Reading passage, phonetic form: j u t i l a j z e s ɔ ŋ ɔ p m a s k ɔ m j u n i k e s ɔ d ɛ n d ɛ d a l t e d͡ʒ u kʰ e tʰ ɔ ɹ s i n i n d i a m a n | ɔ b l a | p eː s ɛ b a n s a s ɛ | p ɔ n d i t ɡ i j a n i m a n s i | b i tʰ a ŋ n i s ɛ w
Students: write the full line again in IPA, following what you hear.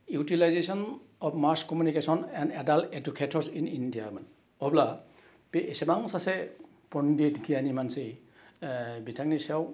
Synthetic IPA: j u t i l a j z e s ɔ n ɔ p m a s k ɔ m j u n i k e s ɔ n ɛ n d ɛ d a l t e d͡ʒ u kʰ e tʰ ɔ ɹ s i n i n d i a m a n | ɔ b l a | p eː s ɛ b a ŋ s a s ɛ | p ɔ n d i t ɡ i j a n i m a n s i | b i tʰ a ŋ n i s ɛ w